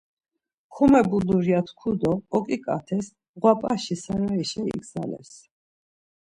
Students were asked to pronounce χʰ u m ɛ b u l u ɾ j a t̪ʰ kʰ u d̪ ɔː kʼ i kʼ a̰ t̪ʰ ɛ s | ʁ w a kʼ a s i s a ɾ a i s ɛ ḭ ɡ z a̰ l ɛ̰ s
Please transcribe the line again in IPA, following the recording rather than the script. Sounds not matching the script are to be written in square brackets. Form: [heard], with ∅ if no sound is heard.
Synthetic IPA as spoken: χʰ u m ɛ b u l u ɾ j a t̪ʰ kʰ u d̪ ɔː kʼ i kʼ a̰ t̪ʰ ɛ s | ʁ w a [pʼ] a [ʃ] i s a ɾ a i [ʃ] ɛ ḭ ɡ z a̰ l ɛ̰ s